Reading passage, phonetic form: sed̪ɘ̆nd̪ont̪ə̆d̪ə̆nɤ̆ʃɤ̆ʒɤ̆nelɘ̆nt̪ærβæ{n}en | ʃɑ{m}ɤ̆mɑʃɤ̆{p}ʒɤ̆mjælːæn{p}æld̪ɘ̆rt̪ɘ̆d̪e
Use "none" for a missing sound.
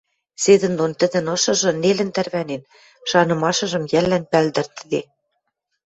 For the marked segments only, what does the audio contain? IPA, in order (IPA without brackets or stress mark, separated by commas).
n, n, none, p